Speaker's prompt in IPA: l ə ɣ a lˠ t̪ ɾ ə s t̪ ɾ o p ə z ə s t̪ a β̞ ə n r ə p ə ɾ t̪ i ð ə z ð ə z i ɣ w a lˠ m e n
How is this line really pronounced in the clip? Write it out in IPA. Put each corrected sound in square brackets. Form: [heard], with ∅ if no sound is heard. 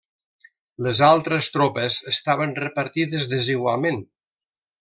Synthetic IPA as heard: l ə [z] a lˠ t̪ ɾ ə s t̪ ɾ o p ə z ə s t̪ a β̞ ə n r ə p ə ɾ t̪ i ð ə z ð ə z i ɣ w a lˠ m e n